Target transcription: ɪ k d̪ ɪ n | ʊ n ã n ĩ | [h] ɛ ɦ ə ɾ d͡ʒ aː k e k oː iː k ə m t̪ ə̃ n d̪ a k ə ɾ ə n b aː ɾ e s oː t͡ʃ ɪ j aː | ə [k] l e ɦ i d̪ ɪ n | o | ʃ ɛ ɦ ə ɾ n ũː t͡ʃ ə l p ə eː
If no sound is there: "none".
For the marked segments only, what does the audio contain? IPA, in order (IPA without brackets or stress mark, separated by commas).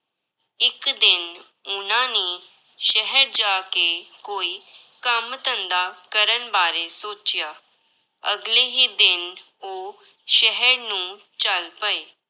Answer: ʃ, ɡ